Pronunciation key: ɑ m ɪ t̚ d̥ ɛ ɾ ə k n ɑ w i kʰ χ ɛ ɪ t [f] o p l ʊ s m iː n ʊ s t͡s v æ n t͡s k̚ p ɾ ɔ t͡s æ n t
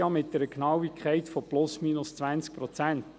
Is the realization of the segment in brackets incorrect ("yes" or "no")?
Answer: no